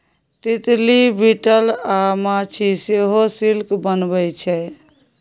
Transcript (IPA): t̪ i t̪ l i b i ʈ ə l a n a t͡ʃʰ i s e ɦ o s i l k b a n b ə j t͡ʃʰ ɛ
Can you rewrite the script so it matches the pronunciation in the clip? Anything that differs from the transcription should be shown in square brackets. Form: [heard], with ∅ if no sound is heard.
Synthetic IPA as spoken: t̪ i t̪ l i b i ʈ ə l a [m] a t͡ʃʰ i s e ɦ o s i l k b [ə] n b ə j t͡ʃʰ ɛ